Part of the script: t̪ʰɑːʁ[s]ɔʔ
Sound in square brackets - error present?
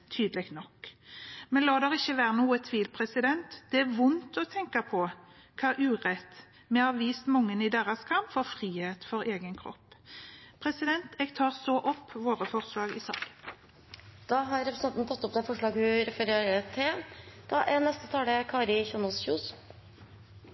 no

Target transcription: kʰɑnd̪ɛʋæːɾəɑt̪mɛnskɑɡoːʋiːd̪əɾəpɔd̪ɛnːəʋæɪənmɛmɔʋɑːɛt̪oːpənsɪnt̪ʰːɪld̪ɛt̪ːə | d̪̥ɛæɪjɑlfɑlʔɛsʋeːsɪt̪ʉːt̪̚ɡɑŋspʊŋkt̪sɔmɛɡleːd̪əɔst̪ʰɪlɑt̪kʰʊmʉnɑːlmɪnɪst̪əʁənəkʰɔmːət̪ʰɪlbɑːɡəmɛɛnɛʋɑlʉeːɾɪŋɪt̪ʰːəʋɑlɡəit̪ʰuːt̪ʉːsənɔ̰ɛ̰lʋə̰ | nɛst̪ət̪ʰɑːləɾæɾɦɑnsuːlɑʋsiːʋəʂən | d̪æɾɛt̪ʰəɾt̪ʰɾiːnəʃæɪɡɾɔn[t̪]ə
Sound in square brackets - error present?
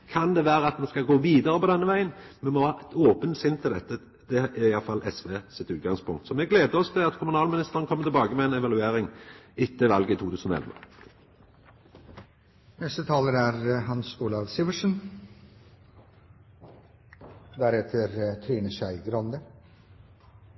yes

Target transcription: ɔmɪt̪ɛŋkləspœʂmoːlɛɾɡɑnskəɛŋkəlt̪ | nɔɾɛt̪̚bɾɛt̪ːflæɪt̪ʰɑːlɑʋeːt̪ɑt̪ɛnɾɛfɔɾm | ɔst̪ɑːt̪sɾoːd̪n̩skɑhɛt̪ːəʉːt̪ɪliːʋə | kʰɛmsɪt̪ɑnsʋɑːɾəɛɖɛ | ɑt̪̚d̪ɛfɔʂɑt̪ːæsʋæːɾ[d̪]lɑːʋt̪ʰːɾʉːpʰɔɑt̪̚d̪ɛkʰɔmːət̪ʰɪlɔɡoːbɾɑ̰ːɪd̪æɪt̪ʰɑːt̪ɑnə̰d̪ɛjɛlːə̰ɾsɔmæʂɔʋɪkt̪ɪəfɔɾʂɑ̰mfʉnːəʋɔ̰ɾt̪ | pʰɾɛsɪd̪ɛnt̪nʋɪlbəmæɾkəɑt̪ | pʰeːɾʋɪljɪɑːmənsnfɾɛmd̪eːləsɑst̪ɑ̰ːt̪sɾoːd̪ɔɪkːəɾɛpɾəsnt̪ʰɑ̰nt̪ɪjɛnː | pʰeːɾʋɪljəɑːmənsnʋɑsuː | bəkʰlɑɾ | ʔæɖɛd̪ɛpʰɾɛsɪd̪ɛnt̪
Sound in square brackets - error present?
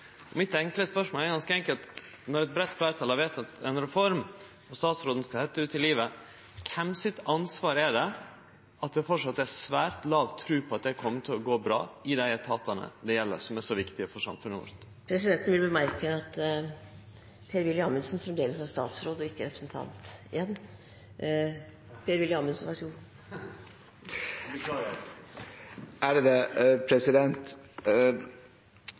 yes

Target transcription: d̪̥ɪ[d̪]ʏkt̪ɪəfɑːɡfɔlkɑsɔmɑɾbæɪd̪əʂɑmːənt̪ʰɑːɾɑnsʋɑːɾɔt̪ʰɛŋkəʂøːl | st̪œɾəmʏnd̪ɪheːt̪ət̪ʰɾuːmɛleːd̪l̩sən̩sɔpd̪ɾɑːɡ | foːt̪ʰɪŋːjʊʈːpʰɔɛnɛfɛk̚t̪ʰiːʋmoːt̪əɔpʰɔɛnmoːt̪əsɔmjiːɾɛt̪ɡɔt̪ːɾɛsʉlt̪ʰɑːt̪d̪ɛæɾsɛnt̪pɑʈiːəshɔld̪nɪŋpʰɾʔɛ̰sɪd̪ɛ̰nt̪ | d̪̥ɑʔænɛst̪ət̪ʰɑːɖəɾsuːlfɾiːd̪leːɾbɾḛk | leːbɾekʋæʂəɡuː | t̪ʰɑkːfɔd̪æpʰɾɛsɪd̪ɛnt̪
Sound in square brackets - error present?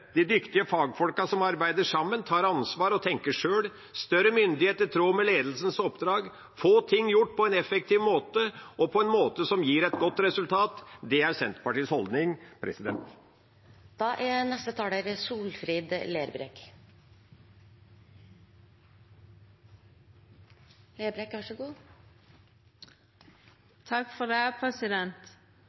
no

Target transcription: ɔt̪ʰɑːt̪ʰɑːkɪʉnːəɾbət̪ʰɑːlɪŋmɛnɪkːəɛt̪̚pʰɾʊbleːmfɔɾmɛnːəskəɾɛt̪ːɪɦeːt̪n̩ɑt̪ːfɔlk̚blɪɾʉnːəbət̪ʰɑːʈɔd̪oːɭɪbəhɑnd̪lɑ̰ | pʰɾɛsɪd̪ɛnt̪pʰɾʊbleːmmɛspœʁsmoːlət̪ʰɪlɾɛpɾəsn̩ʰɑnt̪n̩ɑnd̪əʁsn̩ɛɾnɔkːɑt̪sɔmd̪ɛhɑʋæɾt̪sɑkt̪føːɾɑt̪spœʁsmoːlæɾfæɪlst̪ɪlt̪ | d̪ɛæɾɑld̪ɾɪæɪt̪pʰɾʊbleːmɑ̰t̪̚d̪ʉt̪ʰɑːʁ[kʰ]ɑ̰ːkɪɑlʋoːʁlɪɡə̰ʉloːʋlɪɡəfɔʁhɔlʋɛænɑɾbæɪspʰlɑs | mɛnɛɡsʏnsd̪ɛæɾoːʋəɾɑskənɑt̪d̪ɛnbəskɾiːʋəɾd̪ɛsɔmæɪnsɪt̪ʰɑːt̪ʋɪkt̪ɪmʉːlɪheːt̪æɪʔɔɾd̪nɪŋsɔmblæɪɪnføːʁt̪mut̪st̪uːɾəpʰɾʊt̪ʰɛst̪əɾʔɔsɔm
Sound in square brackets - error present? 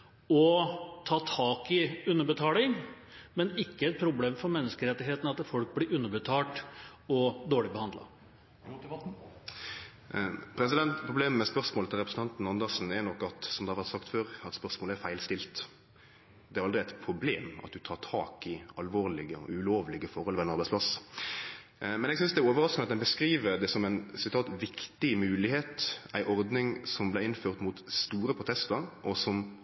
yes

